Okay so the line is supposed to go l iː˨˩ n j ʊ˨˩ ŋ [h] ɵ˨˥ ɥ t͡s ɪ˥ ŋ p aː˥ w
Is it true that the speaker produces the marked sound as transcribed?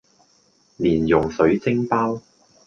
no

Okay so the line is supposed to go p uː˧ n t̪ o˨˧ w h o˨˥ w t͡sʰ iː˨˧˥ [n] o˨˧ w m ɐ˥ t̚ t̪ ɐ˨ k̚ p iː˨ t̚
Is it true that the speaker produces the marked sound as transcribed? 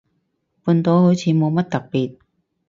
no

